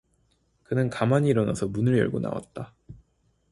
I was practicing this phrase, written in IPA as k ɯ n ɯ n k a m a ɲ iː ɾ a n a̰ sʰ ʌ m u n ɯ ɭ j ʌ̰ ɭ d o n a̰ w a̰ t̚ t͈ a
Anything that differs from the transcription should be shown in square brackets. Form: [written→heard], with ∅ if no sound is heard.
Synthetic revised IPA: k ɯ n ɯ n k a m a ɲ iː ɾ [a→ʌ] n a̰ sʰ ʌ m u n ɯ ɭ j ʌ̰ ɭ [d→ɡ] o n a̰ w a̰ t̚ t͈ a